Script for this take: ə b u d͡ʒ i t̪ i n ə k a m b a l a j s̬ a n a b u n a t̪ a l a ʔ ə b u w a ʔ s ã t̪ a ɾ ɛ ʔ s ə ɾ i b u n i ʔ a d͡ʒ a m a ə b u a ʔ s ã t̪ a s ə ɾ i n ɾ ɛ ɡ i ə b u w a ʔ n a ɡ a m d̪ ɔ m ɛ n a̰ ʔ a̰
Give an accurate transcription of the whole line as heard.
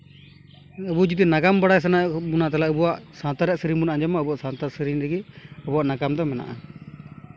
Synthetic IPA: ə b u d͡ʒ i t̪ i n a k a m b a ɽ a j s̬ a n a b u n a t̪ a l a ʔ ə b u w a ʔ s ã t̪ a ɾ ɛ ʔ s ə ɾ i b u n a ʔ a d͡ʒ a m a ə b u a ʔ s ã t̪ a s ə ɾ i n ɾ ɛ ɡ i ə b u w a ʔ n a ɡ a m d̪ ɔ m ɛ n a̰ ʔ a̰